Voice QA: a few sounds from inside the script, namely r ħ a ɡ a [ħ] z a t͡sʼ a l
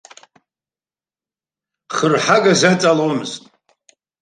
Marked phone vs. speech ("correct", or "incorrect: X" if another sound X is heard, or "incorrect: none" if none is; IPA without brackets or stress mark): incorrect: none